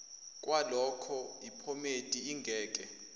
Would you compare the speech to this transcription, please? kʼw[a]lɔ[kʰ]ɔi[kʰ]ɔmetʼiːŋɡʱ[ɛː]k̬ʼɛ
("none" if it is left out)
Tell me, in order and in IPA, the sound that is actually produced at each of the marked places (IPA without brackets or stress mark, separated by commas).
a, kʰ, pʰ, ɛː